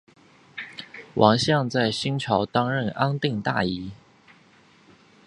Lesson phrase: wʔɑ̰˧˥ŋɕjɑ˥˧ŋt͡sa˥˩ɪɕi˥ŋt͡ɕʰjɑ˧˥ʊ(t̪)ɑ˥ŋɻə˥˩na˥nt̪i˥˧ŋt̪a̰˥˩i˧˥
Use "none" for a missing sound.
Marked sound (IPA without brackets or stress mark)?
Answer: t̪